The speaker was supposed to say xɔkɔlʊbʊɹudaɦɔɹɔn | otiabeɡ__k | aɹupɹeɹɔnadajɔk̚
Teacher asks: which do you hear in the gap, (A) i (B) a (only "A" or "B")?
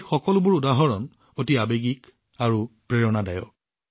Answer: A